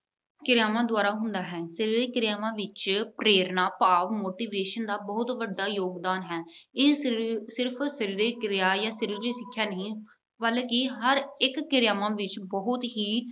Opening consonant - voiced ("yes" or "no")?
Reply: no